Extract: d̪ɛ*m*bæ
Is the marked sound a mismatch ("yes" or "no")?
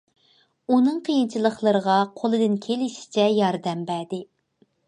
no